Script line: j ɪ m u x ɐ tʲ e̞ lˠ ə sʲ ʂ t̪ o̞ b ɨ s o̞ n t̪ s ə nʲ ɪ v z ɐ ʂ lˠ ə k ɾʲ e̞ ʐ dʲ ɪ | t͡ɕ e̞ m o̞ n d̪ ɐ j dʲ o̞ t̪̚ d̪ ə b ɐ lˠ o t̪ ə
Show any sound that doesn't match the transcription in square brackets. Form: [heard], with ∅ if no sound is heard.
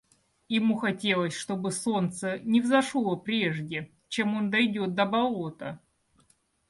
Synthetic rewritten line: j ɪ m u x ɐ tʲ e̞ lˠ ə sʲ ʂ t̪ o̞ b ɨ s o̞ n t̪ s ə nʲ ɪ v z ɐ ʂ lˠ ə [p] ɾʲ e̞ ʐ dʲ ɪ | t͡ɕ e̞ m o̞ n d̪ ɐ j dʲ o̞ t̪̚ d̪ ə b ɐ lˠ o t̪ ə